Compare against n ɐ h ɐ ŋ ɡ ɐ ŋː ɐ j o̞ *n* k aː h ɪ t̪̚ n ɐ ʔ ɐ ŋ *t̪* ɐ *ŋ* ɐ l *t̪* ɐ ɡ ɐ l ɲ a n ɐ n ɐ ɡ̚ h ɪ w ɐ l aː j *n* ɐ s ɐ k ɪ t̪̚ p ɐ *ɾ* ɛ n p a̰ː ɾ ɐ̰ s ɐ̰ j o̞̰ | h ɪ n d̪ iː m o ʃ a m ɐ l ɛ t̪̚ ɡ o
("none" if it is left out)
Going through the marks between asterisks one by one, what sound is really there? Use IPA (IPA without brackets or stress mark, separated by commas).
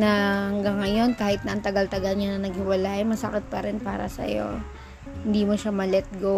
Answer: n, t̪, ɡ, t̪, m, ɾ